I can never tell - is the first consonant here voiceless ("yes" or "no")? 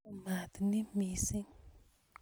no